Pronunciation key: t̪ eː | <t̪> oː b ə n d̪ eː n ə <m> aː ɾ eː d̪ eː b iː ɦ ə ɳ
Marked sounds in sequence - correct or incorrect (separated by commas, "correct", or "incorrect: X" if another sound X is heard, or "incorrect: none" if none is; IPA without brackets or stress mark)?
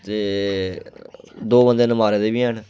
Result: incorrect: d̪, correct